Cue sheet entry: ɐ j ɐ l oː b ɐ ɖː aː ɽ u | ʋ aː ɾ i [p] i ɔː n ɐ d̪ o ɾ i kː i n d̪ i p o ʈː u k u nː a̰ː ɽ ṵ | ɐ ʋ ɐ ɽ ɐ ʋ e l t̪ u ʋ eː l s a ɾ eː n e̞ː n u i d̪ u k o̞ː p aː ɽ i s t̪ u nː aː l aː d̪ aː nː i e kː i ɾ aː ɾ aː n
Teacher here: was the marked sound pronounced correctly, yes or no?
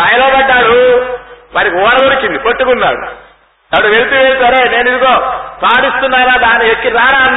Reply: no